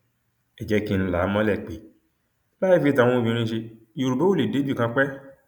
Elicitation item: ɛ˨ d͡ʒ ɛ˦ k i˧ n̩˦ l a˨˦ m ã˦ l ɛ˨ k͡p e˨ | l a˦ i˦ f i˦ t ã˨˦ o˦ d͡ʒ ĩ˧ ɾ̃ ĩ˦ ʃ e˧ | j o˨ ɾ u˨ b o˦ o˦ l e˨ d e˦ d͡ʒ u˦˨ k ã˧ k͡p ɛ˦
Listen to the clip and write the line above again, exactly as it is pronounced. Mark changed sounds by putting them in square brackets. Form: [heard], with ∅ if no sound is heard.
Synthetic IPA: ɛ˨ d͡ʒ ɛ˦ k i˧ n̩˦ l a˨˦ m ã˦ l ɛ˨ k͡p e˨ | l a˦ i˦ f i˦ t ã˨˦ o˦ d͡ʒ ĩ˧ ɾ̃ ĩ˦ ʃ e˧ | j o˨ ɾ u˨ b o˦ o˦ l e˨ d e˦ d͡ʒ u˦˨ k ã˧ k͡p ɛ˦